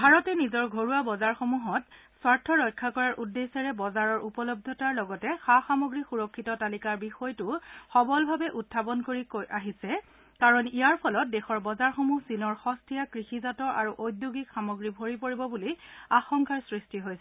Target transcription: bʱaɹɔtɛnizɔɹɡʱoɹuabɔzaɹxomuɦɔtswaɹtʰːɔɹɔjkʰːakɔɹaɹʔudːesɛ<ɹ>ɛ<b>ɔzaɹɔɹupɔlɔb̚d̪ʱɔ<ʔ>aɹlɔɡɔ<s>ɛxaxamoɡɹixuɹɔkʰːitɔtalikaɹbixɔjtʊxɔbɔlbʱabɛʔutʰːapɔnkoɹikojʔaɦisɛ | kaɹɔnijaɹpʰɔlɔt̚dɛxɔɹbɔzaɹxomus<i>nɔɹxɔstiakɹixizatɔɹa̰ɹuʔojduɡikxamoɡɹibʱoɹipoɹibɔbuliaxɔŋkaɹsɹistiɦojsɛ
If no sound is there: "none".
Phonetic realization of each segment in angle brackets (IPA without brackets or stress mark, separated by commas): ɹ, b, t, t, i